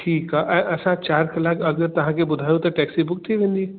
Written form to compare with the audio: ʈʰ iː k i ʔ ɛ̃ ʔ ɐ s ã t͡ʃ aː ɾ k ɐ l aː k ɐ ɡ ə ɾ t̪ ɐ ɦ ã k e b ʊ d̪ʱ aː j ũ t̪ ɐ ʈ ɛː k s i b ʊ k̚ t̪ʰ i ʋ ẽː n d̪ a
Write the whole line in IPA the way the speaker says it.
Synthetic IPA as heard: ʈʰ iː k a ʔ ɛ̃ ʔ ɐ s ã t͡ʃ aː ɾ k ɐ l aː k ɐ ɡ ə ɾ t̪ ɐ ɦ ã k e b ʊ d̪ʱ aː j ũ t̪ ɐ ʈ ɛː k s i b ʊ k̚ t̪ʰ i ʋ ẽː n d̪ i